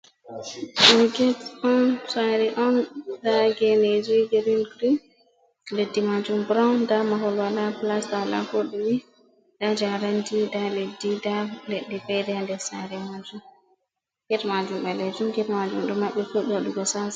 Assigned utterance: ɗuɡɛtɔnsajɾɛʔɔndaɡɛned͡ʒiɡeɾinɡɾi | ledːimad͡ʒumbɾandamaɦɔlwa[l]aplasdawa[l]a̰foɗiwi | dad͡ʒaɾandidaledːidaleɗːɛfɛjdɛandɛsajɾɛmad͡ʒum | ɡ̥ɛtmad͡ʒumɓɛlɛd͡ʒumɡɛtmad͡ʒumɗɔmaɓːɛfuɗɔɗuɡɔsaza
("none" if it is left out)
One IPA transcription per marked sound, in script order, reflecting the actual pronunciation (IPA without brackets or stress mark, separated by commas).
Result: l, l